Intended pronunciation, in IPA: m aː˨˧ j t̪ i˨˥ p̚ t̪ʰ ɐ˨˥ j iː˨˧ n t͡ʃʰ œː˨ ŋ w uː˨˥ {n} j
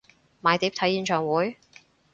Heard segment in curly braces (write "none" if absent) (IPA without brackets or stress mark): none